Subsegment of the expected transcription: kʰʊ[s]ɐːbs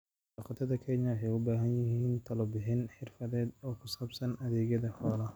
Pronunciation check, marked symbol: correct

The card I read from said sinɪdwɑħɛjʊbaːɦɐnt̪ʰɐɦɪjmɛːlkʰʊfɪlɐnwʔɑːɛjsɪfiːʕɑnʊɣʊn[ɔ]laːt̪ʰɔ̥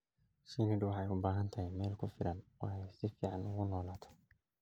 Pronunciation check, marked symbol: incorrect: ɔː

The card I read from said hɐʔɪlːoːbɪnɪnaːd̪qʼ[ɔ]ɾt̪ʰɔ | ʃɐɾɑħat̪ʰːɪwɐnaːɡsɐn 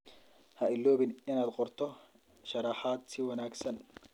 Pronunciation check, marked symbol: correct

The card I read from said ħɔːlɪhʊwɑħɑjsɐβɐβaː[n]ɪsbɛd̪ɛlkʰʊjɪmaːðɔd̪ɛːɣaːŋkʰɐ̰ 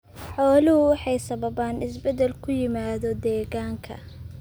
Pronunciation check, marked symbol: correct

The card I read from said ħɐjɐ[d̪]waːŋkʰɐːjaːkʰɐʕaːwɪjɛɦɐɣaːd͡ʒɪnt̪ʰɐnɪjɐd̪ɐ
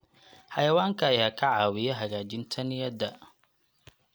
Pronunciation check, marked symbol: incorrect: none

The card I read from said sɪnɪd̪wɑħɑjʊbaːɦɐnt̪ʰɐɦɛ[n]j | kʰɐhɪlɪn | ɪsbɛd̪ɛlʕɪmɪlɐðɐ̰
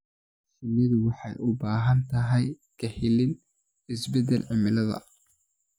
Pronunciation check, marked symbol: incorrect: none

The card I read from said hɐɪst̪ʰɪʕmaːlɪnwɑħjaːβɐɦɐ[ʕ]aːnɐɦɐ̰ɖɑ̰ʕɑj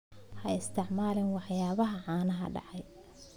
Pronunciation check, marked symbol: correct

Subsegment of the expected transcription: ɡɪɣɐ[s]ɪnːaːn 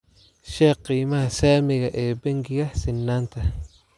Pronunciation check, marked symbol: correct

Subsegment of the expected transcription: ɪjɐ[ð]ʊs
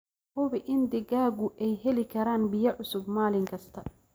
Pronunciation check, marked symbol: incorrect: ʕ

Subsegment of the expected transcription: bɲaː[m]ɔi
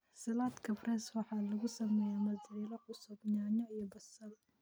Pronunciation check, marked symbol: incorrect: ɲ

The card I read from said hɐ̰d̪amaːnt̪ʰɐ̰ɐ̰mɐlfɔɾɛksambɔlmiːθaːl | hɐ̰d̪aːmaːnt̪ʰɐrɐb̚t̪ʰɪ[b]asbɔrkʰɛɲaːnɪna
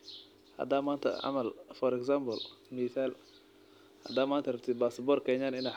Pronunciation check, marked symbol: correct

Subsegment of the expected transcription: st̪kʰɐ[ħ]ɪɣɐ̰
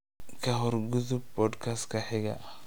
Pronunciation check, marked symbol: correct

